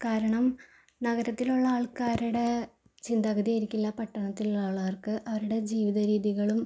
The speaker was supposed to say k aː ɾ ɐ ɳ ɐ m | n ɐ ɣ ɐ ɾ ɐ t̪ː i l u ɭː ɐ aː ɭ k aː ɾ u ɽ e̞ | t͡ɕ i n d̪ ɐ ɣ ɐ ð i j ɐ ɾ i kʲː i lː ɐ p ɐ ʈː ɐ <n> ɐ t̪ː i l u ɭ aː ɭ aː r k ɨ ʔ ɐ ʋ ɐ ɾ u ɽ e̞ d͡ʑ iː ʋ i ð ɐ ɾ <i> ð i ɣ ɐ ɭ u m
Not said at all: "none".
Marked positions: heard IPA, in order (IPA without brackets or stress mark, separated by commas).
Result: ɳ, iː